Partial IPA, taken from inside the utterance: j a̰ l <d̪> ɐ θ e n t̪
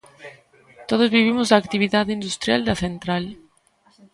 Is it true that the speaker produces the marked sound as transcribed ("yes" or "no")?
yes